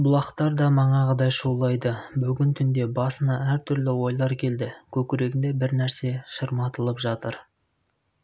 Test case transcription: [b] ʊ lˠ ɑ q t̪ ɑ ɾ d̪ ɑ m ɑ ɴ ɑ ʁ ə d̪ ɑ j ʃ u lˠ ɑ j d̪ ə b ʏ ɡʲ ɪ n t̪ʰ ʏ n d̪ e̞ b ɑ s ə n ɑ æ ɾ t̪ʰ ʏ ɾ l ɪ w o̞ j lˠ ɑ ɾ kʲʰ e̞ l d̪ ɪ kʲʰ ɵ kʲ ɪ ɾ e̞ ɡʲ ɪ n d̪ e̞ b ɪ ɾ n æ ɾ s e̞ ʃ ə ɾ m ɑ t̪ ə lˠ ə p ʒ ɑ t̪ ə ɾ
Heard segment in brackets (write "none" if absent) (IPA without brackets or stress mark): b